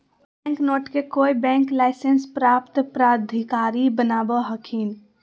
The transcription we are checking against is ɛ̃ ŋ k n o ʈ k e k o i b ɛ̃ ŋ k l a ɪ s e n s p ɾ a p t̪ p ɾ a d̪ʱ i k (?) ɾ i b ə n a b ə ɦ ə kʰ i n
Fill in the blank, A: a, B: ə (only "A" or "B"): A